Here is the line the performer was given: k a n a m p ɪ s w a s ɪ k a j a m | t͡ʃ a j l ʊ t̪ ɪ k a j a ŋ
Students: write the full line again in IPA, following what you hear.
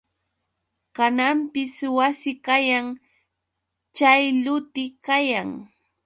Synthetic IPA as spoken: k a n a m p ɪ s w a s ɪ k a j a ŋ | t͡ʃ a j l ʊ t̪ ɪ k a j a ŋ